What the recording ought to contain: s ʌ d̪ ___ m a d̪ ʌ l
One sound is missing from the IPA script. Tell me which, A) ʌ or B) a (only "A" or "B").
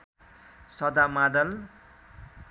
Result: B